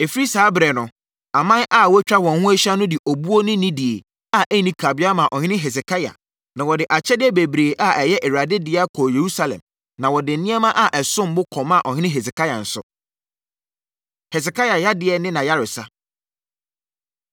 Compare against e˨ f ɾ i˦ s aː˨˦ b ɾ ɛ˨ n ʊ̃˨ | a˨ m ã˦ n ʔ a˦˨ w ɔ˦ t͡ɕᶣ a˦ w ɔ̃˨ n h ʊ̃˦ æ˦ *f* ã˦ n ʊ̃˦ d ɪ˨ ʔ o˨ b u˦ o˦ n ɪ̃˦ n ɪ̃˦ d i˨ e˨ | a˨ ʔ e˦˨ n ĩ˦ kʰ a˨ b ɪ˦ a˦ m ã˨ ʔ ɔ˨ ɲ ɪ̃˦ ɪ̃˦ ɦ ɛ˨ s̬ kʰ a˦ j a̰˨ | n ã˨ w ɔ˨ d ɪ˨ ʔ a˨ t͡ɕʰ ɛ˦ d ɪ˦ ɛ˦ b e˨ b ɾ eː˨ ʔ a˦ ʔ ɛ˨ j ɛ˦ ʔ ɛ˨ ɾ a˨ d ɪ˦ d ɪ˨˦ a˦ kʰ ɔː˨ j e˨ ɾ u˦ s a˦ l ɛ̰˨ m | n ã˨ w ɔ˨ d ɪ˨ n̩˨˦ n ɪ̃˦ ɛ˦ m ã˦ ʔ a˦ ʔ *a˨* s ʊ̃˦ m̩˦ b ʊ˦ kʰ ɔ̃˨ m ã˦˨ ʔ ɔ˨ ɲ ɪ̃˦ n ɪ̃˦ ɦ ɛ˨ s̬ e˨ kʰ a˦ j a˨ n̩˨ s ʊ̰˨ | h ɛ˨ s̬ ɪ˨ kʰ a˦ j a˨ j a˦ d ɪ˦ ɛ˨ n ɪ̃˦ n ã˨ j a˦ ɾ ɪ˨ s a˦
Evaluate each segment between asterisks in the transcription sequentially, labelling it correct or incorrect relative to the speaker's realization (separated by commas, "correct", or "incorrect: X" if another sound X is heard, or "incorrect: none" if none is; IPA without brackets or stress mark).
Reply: incorrect: ɕ, incorrect: ɛ˨